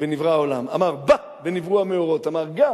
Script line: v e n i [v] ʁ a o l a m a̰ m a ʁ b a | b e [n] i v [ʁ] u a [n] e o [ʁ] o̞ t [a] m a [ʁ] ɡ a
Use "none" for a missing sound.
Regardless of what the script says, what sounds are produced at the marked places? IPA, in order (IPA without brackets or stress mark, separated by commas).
v, n, ʁ, m, ʁ, a, ʁ